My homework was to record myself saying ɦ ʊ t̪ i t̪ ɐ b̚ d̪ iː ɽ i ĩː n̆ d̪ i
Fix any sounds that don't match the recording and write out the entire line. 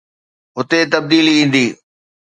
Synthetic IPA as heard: ɦ ʊ t̪ e t̪ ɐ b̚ d̪ iː l i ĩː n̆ d̪ iː